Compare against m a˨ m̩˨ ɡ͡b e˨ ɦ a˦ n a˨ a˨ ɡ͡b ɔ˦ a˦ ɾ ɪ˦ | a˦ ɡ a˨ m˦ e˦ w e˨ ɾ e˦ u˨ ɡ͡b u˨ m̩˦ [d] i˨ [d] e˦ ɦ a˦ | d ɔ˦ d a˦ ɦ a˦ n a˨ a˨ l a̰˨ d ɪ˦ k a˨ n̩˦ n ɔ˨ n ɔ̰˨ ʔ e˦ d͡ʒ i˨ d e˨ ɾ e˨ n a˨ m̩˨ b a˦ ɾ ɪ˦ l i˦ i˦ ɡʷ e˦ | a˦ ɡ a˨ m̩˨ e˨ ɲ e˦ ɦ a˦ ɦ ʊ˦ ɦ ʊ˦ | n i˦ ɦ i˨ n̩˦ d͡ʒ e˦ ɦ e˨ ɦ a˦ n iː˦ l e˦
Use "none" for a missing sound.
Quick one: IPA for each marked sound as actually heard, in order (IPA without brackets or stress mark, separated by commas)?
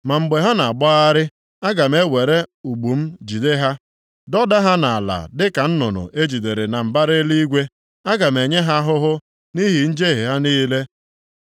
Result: d͡ʒ, d